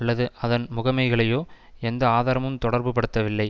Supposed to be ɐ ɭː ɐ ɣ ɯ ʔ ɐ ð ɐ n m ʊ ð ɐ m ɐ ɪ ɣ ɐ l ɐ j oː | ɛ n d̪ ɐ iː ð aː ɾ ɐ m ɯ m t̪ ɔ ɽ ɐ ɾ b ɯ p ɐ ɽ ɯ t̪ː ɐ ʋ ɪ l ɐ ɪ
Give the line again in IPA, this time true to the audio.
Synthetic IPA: ɐ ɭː ɐ ð ɯ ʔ ɐ ð ɐ n m ʊ ɣ ɐ m ɐ ɪ ɣ ɐ ɭ ɐ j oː | ɛ n d̪ ɐ aː ð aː ɾ ɐ m ɯ m t̪ ɔ ɽ ɐ ɾ b ɯ p ɐ ɽ ɯ t̪ː ɐ ʋ ɪ lː ɐ ɪ